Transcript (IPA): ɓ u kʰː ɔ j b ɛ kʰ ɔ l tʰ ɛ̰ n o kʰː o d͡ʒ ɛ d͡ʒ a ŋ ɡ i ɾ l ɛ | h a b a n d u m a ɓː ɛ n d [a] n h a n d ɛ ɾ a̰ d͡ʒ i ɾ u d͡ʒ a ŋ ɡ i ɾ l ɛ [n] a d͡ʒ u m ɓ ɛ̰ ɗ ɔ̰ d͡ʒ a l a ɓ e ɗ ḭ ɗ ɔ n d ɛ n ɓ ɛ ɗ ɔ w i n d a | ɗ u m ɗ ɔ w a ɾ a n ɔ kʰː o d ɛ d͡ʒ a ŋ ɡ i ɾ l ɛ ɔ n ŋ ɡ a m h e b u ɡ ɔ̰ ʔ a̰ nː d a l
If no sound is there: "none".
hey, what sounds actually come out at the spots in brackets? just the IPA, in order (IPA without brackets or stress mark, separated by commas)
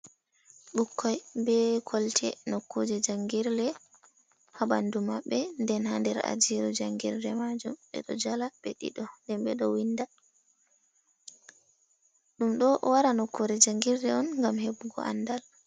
ɛ, m